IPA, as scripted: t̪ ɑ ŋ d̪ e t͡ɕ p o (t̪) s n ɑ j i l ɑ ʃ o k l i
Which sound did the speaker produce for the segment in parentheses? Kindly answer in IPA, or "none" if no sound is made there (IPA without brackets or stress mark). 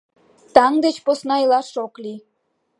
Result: none